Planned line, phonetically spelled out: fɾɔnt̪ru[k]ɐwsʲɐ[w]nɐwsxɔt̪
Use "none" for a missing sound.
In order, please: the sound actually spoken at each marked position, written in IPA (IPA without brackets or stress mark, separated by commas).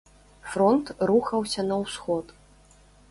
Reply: x, none